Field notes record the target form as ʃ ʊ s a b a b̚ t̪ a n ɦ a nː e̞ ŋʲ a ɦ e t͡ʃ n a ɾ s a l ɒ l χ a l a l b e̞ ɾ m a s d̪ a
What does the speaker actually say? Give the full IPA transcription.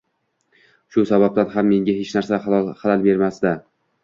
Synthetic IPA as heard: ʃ ʊ s a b a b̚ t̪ a n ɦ a mː e̞ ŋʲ a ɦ e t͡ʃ n a ɾ s a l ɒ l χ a l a l b e̞ ɾ m a s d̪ a

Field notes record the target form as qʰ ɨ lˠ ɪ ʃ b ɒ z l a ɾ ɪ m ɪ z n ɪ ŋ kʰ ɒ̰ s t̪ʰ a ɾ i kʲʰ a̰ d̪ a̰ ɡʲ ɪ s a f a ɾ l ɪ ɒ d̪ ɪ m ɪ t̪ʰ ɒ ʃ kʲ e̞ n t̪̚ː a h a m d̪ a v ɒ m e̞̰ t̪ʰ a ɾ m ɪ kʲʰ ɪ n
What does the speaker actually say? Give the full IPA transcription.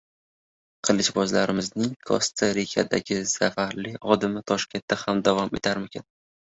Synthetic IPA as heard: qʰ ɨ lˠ ɪ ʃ b ɒ z l a ɾ ɪ m ɪ z n ɪ ŋ kʰ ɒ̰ s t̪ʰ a ɾ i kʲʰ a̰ d̪ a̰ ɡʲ ɪ s a f a ɾ l ɪ ɒ d̪ ɪ m ɪ t̪ʰ ɒ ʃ kʲ e̞ n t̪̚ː a h a m d̪ a v ɒ m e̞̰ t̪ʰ a ɾ m ɪ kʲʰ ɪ n

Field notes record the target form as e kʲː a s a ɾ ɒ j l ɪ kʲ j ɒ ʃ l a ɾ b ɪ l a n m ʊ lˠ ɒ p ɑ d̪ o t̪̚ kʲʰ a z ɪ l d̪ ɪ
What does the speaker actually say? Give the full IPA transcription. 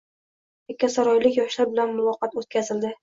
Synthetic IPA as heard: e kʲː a s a ɾ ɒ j l ɪ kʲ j ɒ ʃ l a ɾ b ɪ l a n m ʊ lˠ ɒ q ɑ t̪ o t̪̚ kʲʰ a z ɪ l d̪ ɪ

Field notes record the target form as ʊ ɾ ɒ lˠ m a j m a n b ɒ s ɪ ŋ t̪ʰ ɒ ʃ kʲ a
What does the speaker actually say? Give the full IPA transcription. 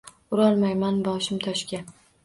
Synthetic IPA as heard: ʊ ɾ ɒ lˠ m a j m a n b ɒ ʃ ɪ m t̪ʰ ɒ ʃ kʲ a

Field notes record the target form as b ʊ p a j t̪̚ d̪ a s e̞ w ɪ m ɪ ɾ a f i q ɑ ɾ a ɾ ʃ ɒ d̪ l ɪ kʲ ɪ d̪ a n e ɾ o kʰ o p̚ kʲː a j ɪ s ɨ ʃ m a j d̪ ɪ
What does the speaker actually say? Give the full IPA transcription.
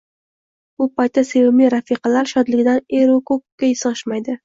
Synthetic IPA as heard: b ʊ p a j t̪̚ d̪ a s e̞ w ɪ m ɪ ɾ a f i q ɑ l a ɾ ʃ ɒ d̪ l ɪ ɡʲ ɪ d̪ a n e ɾ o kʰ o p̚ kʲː a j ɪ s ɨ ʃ m a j d̪ ɪ

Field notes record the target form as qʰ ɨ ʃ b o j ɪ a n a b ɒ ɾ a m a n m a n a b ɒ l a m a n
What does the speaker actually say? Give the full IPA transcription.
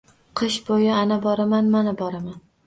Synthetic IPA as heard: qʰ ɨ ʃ b o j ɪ a n a b ɒ ɾ a m a n m a n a b ɒ ɾ a m a n

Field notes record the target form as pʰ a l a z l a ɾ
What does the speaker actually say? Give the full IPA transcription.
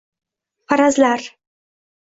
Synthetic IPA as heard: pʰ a ɾ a z l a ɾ

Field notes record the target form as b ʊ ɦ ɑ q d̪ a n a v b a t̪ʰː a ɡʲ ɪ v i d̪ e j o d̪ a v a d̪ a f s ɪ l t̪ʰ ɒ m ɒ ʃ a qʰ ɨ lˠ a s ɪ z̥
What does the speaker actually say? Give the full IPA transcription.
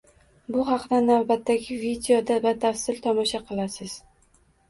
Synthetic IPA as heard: b ʊ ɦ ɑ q d̪ a n a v b a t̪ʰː a ɡʲ ɪ v i d̪ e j o d̪ a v a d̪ a f s ɪ l t̪ʰ ɒ m ɒ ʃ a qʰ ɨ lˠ a s ɪ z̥

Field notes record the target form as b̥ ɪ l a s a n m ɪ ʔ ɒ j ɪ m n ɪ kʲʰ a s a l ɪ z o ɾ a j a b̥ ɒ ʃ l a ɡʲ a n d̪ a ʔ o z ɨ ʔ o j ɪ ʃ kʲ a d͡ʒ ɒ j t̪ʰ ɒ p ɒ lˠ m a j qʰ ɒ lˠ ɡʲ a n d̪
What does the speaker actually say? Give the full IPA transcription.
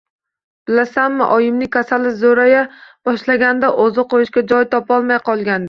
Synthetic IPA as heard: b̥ ɪ l a s a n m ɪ ʔ ɒ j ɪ m n ɪ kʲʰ a s a l ɪ z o ɾ a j a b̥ ɒ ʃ l a ɡʲ a n d̪ a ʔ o z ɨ q o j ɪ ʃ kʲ a d͡ʒ ɒ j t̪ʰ ɒ p ɒ lˠ m a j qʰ ɒ lˠ ɡʲ a n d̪

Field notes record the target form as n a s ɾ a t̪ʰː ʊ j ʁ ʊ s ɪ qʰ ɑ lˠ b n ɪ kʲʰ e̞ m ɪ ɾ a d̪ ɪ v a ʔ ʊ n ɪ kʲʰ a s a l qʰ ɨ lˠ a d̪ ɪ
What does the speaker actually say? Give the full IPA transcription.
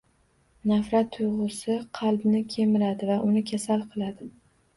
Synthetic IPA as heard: n a f ɾ a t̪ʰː ʊ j ʁ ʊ s ɪ qʰ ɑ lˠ b n ɪ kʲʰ e̞ m ɪ ɾ a d̪ ɪ v a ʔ ʊ n ɪ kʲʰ a s a l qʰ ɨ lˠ a d̪ ɪ

